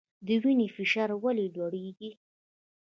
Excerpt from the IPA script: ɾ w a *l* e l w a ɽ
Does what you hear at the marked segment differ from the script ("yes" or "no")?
no